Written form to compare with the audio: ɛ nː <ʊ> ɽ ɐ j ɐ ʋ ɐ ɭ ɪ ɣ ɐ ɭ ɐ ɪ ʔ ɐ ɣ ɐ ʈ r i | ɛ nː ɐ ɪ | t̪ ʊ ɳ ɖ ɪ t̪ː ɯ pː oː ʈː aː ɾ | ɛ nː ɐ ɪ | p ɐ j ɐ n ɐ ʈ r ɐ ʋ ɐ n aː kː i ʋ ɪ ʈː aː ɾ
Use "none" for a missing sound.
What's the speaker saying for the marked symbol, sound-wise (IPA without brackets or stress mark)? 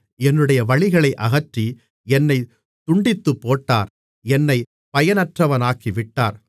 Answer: ɯ